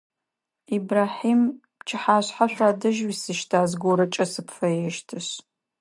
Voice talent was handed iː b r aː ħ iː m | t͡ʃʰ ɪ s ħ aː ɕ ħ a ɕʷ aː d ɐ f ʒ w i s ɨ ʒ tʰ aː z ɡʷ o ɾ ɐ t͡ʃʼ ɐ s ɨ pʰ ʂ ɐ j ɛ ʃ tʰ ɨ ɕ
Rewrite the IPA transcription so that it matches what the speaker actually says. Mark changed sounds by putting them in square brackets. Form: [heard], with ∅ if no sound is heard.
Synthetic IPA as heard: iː b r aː ħ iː m | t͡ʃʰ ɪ [∅] ħ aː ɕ ħ a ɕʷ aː d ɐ [∅] ʒ w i s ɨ [ʃ] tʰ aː z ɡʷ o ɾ ɐ t͡ʃʼ ɐ s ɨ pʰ [f] ɐ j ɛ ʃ tʰ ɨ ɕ